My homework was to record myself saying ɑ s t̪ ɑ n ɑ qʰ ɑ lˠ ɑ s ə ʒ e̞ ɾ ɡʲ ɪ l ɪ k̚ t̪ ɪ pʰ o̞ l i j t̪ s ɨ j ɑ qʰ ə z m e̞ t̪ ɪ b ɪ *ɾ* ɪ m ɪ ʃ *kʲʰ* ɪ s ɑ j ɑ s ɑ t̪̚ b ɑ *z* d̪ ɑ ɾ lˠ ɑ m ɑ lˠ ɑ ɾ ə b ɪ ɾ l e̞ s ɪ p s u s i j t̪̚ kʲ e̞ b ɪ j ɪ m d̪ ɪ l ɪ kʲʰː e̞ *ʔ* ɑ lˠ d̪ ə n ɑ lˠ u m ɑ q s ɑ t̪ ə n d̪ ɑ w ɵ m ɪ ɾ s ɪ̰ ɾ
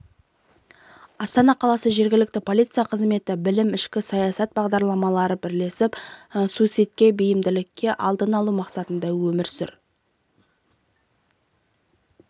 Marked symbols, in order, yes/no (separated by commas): no, no, no, yes